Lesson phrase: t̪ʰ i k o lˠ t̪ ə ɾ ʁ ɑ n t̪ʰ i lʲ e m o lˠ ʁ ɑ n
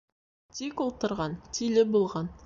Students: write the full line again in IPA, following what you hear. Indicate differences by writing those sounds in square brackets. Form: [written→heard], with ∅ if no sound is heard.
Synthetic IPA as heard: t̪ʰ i k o lˠ t̪ ə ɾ ʁ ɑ n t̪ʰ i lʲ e [m→b] o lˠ ʁ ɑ n

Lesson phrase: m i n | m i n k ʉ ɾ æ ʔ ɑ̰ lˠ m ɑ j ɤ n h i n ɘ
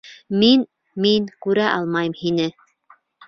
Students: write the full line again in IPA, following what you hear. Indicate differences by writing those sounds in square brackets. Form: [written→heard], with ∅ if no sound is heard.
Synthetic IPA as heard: m i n | m i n k ʉ ɾ æ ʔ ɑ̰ lˠ m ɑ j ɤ [n→m] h i n ɘ

